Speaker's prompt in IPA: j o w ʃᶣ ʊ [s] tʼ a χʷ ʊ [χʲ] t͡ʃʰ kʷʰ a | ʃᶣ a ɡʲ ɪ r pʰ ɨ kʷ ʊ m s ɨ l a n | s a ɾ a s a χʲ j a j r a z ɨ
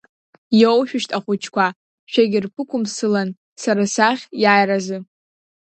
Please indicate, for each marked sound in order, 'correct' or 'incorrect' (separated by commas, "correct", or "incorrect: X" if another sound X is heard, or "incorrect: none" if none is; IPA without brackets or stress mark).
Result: incorrect: ʃ, incorrect: none